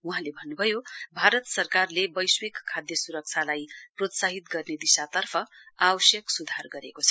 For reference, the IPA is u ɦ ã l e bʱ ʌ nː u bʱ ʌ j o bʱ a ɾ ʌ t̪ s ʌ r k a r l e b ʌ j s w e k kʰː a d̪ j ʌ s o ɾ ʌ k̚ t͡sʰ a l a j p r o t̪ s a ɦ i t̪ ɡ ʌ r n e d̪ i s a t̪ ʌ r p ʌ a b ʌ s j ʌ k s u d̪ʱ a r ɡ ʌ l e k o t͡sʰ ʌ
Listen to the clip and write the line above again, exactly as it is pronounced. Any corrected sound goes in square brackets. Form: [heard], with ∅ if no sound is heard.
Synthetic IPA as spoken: u ɦ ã l e bʱ ʌ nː u bʱ ʌ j o bʱ a ɾ ʌ t̪ s ʌ r k a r l e b ʌ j s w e k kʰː a d̪ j ʌ s [u] ɾ ʌ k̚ t͡sʰ a l a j p r o t̪ s a ɦ i t̪ ɡ ʌ r n e d̪ i s a t̪ ʌ r [pʰ] ʌ a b ʌ s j ʌ k s u d̪ʱ a r ɡ ʌ [ɾ] e k o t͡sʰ ʌ